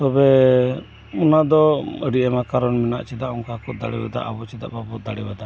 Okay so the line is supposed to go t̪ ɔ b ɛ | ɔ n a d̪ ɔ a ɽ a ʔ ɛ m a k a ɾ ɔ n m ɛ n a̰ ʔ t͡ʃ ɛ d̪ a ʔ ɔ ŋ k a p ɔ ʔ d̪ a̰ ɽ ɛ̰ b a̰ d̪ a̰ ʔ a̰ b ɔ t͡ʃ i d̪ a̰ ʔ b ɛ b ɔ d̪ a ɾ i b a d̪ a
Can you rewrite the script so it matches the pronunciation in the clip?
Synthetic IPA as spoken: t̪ ɔ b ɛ | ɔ n a d̪ ɔ ə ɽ i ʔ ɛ m a k a ɾ ɔ n m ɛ n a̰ ʔ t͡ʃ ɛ d̪ a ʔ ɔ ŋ k a k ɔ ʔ d̪ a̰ ɽ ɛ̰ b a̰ d̪ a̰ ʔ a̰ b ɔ t͡ʃ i d̪ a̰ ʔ b a b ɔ d̪ a ɽ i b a d̪ a